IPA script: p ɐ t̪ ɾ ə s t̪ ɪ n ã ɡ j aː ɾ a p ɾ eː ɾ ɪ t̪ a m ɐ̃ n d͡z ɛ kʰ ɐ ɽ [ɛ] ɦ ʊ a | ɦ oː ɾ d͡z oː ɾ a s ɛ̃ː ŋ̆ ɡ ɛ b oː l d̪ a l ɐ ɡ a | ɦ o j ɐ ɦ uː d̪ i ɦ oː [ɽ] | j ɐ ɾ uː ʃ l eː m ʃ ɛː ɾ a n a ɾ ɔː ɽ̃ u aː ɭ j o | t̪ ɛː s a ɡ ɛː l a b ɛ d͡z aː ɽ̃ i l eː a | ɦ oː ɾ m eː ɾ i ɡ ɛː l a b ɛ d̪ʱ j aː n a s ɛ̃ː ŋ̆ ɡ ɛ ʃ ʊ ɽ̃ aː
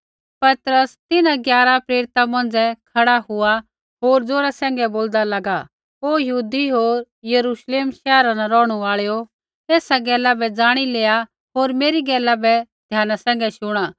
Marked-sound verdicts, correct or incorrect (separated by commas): incorrect, incorrect